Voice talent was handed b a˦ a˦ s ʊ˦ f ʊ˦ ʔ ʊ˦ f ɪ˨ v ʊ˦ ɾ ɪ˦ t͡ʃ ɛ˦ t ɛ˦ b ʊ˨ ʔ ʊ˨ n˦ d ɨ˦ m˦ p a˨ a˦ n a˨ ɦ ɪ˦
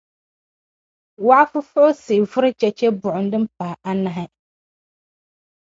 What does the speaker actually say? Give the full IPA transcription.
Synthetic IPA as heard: w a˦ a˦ f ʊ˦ f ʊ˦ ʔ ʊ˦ s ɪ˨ v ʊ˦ ɾ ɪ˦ t͡ʃ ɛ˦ t͡ʃ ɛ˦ b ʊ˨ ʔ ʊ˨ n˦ d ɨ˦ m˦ p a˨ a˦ n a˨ ɦ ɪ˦

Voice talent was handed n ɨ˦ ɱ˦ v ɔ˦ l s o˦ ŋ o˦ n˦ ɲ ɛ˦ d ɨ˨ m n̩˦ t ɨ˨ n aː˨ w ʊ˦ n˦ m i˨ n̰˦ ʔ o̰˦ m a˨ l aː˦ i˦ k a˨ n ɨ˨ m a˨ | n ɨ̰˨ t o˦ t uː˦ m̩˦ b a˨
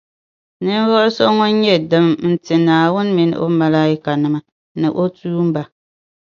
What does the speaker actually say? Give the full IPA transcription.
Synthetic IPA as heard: n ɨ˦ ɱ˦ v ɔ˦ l s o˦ ŋ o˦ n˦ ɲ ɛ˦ d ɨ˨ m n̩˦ t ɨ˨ n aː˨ w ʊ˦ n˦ m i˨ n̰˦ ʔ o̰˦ m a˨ l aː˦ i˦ k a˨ n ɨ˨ m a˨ | n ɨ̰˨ ʔ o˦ t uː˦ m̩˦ b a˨

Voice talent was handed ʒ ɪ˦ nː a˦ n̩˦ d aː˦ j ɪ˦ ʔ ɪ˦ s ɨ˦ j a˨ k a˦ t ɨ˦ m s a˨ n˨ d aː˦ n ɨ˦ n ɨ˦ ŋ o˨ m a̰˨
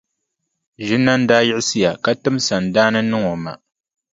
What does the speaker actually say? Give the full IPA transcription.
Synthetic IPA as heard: ʒ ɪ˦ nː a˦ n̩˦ d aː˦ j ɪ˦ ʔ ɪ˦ s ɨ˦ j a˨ k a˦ t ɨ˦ m s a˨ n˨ d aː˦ n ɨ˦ n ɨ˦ ŋ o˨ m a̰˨

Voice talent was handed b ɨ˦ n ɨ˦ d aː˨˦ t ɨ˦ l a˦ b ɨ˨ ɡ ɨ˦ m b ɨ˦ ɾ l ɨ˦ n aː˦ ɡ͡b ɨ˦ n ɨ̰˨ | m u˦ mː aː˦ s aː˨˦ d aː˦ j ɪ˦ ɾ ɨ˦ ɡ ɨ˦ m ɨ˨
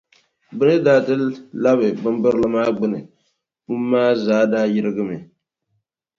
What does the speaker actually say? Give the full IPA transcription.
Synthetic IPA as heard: b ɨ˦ n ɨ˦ d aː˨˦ t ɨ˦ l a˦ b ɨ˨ b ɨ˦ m b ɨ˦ ɾ l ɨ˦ m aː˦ ɡ͡b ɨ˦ n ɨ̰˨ | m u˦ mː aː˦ z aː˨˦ d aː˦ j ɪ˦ ɾ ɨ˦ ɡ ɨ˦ m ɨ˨

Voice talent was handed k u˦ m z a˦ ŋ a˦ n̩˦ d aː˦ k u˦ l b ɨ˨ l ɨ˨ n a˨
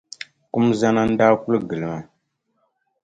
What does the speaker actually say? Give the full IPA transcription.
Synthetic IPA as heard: k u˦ m z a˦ n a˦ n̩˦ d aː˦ k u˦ l ɡ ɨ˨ l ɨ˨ m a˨

